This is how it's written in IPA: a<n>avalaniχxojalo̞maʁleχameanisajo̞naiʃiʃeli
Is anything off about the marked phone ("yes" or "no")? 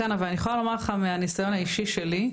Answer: no